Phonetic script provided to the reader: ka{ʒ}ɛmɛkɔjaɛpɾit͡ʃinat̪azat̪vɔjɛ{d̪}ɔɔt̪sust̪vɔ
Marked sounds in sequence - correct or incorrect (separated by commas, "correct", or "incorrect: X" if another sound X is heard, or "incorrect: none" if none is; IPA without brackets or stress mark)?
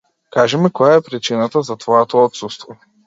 correct, incorrect: t̪